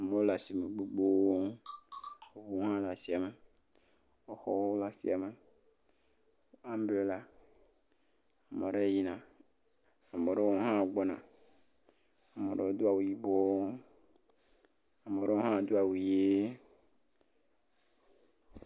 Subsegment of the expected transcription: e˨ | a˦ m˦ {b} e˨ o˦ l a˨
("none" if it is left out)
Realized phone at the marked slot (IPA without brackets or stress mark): b